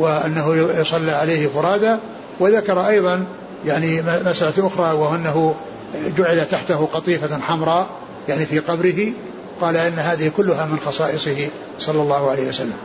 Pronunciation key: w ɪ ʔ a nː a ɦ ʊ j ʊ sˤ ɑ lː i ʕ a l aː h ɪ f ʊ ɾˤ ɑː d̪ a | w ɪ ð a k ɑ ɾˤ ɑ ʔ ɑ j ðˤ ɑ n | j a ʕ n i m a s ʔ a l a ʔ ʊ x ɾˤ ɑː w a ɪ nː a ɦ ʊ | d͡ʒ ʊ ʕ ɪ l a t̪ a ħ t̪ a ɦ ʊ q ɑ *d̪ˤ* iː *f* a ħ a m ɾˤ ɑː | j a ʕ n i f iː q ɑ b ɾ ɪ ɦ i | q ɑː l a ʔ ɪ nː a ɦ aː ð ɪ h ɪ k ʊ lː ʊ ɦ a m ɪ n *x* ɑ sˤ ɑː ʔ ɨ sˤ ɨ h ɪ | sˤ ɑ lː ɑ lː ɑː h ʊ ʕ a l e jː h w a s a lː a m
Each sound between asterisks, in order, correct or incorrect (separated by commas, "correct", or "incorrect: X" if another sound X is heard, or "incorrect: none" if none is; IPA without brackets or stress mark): incorrect: t̪ˤ, correct, correct